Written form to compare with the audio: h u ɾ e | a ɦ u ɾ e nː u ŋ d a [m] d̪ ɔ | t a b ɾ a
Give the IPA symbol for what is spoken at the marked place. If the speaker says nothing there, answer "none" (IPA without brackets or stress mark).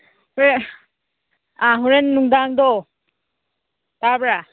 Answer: ŋ